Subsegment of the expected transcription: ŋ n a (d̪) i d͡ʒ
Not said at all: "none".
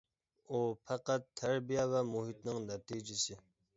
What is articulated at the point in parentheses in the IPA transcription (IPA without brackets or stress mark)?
t̪